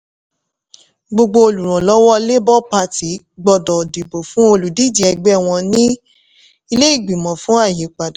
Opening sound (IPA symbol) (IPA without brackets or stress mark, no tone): ɡ͡b